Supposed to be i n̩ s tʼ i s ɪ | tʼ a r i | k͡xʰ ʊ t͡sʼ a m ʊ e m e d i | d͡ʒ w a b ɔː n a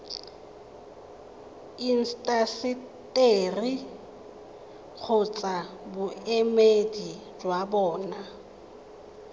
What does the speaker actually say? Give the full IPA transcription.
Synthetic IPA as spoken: i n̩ s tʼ a s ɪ | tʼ e r i | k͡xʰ ʊ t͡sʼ a b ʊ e m e d i | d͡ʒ w a b ɔː n a